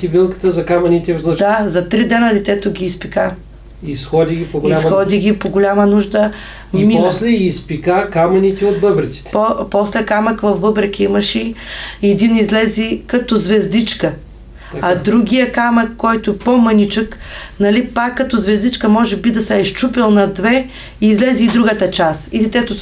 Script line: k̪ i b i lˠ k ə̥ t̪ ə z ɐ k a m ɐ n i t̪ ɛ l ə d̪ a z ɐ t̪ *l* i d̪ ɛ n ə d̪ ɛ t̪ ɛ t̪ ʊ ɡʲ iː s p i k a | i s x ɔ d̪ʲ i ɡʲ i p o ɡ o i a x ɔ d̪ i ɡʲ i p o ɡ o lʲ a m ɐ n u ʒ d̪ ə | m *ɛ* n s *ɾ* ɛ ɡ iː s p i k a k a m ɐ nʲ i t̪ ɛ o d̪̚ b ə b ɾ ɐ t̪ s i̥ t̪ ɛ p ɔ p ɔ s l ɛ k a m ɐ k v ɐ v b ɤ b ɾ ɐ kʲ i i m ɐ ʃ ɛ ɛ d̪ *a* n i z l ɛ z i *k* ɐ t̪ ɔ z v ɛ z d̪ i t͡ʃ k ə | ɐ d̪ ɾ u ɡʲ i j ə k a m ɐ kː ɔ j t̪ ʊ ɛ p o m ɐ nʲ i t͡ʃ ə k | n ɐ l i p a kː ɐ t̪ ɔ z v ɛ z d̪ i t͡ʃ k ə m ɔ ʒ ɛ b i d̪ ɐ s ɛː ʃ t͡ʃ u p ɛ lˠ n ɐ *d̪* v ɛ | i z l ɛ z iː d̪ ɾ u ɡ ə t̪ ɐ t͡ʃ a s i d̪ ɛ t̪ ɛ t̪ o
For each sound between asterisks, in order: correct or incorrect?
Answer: incorrect: ɾ, incorrect: i, incorrect: l, incorrect: i, correct, correct

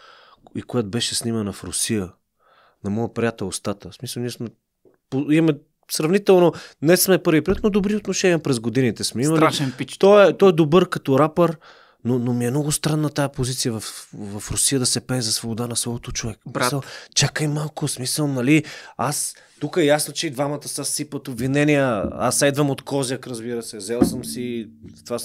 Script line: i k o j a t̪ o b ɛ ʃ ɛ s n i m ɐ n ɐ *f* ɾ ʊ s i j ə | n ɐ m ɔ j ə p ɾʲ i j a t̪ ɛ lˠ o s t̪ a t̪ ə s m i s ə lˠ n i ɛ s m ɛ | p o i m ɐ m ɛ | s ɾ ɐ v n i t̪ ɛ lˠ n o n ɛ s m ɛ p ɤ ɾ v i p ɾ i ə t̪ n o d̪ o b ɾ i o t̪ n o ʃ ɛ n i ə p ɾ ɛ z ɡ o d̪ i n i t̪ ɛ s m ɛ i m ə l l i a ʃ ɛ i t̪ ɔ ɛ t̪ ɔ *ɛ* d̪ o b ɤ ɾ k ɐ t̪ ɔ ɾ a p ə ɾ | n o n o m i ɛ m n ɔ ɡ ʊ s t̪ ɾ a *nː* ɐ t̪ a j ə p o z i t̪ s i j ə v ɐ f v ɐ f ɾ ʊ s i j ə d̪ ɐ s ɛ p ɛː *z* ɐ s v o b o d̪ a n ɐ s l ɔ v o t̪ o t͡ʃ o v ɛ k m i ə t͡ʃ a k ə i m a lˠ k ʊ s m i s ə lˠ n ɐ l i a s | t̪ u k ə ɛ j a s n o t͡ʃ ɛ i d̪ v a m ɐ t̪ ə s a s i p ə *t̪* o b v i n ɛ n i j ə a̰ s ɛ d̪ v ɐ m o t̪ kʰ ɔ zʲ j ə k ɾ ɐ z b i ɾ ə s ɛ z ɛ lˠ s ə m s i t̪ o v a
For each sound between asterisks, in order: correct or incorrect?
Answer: correct, correct, correct, correct, correct

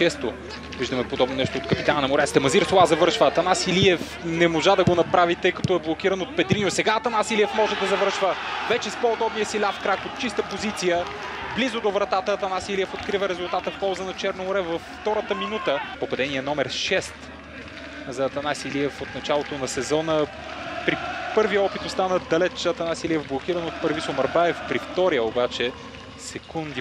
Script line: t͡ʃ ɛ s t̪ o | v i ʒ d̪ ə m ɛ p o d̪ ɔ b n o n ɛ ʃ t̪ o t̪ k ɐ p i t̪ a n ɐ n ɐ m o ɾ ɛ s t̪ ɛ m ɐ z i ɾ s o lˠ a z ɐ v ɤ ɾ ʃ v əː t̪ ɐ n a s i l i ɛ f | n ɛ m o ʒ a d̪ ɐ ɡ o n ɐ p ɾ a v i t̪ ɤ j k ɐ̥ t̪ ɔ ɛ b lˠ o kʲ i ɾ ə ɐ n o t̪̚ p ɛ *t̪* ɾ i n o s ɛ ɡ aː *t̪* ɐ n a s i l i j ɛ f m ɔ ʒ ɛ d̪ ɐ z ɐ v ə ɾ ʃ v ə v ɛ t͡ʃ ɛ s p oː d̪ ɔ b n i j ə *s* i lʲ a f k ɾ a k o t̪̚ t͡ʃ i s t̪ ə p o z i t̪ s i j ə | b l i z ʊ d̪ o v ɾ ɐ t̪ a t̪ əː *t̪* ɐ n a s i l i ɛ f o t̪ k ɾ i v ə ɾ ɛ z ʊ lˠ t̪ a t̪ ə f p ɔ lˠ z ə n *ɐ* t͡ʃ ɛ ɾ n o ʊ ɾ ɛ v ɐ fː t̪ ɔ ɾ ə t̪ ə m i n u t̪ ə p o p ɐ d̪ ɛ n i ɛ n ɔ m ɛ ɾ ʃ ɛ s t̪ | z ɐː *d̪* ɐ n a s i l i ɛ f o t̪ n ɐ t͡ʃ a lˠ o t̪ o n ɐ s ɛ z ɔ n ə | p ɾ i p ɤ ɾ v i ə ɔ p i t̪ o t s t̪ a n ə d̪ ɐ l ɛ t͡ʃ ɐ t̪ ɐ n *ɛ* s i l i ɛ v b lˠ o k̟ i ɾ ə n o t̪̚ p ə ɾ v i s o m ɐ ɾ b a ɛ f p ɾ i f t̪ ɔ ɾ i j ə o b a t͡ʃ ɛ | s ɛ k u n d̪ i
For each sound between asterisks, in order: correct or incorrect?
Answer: incorrect: d̪, correct, correct, correct, correct, incorrect: t̪, incorrect: a

